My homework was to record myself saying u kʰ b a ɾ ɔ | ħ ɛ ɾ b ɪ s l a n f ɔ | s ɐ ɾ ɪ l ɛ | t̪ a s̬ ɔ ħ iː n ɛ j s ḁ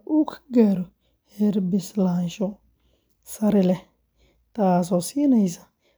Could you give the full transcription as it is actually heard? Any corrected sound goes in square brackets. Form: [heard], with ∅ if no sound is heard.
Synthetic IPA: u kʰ [ɡ] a ɾ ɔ | [h] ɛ ɾ b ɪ s l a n [ʃ] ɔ | s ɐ ɾ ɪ l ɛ | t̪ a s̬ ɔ [s] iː n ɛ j s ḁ